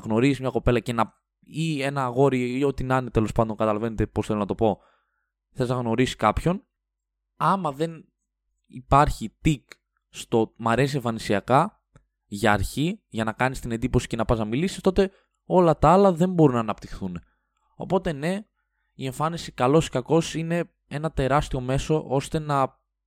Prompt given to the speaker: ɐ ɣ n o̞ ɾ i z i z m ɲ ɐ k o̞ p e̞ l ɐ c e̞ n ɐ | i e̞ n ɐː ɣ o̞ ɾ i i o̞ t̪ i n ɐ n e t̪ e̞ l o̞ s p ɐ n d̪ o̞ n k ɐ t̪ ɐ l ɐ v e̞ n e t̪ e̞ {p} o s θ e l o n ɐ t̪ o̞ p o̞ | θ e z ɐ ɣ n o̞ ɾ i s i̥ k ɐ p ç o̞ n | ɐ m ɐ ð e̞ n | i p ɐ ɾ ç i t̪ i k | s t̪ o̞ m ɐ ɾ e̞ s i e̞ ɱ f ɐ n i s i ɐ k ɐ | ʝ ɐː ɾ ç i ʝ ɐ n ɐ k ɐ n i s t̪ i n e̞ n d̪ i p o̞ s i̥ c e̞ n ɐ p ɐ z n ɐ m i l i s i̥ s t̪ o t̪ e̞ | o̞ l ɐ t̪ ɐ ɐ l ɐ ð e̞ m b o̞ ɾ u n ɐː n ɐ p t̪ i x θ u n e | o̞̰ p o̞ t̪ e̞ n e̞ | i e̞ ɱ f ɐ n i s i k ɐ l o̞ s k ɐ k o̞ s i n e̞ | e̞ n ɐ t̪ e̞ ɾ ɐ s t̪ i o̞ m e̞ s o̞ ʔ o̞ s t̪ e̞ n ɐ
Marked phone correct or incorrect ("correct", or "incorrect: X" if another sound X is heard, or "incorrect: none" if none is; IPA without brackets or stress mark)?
correct